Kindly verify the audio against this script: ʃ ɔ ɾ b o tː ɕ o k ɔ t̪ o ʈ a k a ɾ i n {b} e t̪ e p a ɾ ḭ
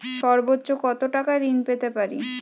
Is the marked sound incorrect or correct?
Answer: incorrect